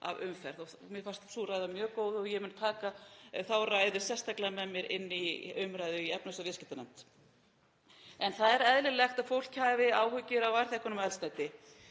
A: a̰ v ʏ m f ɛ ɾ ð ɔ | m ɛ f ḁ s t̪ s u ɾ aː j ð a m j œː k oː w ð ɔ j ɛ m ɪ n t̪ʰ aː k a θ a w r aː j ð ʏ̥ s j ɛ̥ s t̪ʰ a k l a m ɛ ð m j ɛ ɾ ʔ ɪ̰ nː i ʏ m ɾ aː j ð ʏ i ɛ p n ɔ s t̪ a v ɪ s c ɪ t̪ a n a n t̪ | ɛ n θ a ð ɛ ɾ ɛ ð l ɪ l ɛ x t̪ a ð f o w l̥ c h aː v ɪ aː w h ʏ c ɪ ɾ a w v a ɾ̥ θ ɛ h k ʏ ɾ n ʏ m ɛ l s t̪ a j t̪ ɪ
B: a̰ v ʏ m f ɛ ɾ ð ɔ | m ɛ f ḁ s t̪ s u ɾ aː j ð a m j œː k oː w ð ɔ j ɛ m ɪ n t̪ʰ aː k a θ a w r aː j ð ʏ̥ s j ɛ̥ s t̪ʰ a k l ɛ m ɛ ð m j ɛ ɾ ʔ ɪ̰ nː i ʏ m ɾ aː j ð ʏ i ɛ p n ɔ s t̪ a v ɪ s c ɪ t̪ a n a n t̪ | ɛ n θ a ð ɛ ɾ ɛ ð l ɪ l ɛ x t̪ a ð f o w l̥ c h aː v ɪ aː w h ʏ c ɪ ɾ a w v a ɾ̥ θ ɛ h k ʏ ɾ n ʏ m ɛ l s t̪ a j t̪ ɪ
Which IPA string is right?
A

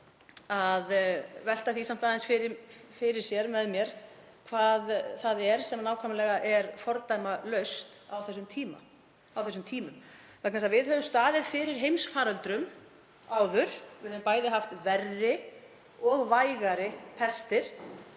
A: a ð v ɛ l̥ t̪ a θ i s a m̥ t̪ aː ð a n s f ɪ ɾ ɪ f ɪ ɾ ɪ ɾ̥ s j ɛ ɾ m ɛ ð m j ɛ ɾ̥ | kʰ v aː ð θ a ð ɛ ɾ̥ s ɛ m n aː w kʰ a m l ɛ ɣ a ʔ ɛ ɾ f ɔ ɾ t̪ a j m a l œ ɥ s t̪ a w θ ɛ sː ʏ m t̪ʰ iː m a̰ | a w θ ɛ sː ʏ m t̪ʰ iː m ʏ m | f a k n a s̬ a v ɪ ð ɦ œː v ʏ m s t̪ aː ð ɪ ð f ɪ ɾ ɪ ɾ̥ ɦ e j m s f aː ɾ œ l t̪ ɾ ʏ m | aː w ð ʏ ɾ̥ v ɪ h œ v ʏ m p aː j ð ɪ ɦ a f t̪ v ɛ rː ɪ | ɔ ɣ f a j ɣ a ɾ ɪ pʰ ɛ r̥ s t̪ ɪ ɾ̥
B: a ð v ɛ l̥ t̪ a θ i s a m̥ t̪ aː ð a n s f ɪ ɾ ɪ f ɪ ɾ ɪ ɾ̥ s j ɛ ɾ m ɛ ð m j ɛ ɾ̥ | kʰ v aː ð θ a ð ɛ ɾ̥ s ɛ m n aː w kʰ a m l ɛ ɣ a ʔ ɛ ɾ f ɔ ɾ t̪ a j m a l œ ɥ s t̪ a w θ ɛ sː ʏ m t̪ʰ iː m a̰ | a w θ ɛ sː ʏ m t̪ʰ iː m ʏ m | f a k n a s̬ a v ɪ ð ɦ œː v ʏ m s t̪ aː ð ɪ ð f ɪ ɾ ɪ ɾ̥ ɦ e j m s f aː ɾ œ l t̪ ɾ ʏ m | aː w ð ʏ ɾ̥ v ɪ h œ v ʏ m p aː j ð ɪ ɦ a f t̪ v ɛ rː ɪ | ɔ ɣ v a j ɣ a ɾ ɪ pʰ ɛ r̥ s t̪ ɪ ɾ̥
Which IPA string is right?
B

